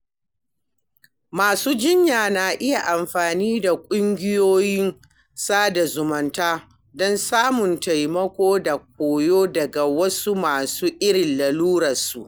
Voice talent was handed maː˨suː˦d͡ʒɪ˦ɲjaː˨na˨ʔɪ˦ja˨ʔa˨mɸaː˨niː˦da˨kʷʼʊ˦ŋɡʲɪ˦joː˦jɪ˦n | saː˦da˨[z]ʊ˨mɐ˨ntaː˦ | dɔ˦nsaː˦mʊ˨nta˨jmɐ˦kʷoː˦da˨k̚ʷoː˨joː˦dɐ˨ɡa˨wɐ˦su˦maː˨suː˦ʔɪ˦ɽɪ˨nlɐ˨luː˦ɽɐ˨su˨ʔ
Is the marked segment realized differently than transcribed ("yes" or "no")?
no